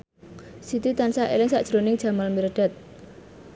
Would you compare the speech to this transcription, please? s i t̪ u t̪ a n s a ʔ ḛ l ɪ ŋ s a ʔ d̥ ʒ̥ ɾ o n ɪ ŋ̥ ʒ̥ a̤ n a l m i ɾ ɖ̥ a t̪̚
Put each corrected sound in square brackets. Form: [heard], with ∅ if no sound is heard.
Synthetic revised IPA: s i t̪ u t̪ a n s a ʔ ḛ l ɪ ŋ s a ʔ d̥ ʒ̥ ɾ o n ɪ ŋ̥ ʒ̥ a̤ [m] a l m i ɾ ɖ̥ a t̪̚